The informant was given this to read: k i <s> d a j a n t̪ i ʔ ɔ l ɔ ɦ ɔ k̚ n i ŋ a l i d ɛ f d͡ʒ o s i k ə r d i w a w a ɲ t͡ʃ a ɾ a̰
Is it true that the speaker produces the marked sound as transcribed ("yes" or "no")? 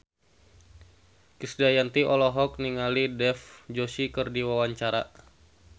yes